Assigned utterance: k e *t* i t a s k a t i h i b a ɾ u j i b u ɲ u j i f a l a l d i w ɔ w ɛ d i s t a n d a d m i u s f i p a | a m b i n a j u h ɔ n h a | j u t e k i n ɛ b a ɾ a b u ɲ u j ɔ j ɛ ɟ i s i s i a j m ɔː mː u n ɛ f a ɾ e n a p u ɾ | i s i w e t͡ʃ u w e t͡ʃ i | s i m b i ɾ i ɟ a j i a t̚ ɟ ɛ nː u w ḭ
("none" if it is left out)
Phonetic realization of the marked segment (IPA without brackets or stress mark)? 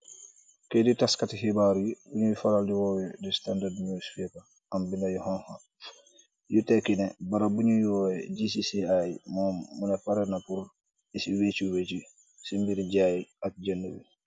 d